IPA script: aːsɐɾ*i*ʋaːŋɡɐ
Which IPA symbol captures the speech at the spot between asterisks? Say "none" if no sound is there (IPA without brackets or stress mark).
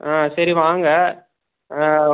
i